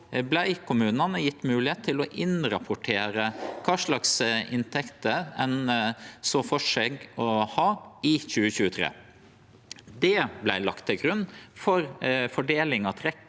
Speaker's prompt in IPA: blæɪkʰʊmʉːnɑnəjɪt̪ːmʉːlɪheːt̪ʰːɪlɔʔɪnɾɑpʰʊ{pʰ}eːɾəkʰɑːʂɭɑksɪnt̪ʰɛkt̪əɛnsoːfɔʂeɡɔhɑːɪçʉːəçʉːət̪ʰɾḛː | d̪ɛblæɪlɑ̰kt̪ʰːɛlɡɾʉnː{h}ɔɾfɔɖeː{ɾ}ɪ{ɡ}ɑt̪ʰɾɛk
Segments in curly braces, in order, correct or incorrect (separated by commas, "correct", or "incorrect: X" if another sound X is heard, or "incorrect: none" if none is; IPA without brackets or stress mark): incorrect: ʈʰ, incorrect: f, incorrect: l, incorrect: ŋ